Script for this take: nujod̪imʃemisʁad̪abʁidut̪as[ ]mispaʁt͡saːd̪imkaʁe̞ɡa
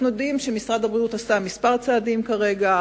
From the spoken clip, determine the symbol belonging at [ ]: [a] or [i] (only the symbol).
a